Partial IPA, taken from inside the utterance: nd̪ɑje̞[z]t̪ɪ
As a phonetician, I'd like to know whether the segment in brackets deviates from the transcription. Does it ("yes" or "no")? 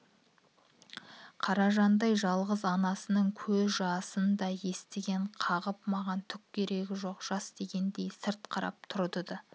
yes